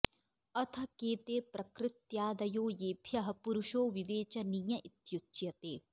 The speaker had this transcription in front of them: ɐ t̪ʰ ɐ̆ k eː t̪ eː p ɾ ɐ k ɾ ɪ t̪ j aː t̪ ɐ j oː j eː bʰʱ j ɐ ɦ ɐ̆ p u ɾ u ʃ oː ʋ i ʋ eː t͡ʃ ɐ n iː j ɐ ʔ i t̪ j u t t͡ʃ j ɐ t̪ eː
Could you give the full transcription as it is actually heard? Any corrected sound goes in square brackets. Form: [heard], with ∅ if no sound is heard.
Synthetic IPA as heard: ɐ t̪ʰ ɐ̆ k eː t̪ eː p ɾ ɐ k ɾ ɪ t̪ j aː [d̪] ɐ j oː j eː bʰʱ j ɐ ɦ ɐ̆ p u ɾ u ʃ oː ʋ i ʋ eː t͡ʃ ɐ n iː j ɐ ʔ i t̪ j u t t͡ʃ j ɐ t̪ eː